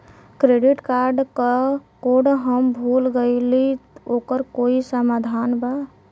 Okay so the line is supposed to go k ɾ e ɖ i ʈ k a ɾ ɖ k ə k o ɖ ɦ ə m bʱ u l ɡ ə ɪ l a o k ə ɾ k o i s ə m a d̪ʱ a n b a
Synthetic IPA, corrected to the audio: k ɾ e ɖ i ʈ k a ɾ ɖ k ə k o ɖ ɦ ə m bʱ u l ɡ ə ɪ l i o k ə ɾ k o i s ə m a d̪ʱ a n b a